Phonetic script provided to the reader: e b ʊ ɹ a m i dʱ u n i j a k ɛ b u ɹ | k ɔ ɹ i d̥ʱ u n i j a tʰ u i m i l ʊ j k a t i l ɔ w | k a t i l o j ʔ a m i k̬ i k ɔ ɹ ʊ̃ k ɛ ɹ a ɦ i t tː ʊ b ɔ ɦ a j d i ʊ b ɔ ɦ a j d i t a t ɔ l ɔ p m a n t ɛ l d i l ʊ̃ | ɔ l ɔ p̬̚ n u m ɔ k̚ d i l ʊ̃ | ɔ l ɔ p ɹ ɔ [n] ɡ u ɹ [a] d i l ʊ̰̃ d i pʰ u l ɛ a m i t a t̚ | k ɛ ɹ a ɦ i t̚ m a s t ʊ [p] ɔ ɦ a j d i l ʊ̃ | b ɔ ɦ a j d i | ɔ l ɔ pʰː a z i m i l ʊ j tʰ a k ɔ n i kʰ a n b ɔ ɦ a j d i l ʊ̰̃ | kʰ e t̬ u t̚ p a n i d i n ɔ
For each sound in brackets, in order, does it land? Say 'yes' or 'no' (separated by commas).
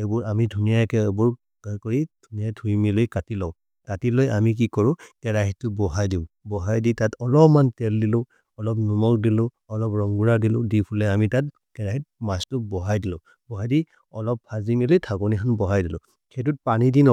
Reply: no, yes, no